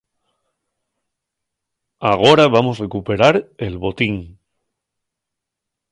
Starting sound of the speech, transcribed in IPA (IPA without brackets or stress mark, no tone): a